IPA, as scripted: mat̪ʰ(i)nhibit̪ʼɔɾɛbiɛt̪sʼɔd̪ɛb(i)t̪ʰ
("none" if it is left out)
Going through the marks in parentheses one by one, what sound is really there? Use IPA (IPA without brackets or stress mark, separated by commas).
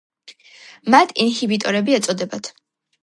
i, a